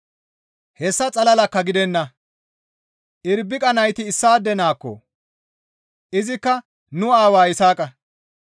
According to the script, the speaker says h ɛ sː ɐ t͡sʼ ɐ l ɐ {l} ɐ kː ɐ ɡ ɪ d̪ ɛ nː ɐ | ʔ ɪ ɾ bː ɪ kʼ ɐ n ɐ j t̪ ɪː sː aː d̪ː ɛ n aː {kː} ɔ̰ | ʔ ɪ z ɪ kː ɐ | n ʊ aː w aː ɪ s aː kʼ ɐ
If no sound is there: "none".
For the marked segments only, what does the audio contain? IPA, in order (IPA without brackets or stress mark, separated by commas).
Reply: l, kː